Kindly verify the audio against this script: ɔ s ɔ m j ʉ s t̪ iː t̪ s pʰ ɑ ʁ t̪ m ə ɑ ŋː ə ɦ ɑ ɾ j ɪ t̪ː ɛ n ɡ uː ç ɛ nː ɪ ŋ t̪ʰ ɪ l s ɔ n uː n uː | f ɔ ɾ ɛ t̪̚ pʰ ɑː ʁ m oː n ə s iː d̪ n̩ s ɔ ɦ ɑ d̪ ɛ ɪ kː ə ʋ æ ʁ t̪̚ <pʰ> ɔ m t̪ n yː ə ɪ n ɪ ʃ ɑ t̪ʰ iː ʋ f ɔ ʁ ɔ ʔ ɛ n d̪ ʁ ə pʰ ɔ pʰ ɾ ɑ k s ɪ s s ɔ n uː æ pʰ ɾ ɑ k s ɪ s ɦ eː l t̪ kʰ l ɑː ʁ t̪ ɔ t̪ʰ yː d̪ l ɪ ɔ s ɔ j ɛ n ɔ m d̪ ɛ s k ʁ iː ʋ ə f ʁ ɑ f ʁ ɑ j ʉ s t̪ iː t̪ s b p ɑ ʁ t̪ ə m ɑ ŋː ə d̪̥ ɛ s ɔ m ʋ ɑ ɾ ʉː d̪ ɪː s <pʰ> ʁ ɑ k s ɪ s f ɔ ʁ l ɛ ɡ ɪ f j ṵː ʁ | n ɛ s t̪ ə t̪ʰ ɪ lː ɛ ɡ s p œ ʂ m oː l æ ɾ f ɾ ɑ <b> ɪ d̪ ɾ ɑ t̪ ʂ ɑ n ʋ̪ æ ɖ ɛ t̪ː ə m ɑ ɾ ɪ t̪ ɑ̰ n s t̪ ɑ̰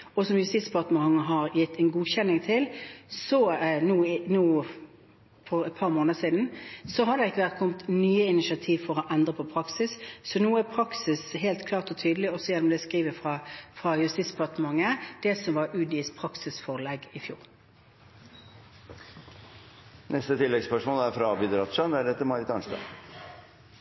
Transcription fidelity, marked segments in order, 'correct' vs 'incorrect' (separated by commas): incorrect, correct, correct